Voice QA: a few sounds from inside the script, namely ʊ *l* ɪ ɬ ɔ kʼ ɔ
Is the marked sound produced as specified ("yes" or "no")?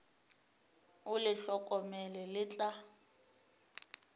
yes